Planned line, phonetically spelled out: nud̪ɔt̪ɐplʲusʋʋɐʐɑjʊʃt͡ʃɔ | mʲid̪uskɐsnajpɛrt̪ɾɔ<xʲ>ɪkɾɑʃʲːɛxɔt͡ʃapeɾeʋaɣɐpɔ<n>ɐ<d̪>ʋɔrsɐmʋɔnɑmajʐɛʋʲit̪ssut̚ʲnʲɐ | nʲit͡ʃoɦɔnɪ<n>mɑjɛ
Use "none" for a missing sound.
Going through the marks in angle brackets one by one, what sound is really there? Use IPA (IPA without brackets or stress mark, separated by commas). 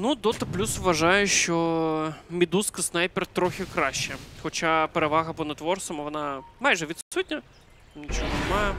xʲ, n, t̪, none